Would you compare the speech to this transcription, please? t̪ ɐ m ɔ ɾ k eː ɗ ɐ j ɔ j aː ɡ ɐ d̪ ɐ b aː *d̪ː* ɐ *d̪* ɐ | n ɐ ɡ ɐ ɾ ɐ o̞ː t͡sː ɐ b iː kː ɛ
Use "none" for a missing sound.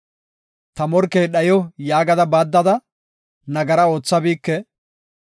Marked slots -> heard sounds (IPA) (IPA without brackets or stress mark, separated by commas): d̪ː, d̪